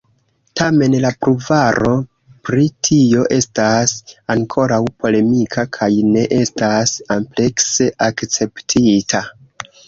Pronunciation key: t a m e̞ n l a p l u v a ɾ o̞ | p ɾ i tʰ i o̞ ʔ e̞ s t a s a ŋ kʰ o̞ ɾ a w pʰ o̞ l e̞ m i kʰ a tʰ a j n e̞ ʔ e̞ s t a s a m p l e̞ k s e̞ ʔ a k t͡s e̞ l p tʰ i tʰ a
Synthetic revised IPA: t a m e̞ n l a p ɾ u v a ɾ o̞ | p ɾ i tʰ i o̞ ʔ e̞ s t a s a ŋ kʰ o̞ ɾ a w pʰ o̞ l e̞ m i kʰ a kʰ a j n e̞ ʔ e̞ s t a s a m p l e̞ k s e̞ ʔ a k t͡s e̞ p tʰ i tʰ a